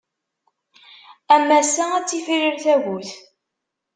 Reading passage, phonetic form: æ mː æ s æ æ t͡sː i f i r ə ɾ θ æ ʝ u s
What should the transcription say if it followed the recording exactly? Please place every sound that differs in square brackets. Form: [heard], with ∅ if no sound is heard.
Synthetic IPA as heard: æ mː æ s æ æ t͡sː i f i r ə ɾ θ æ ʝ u [θ]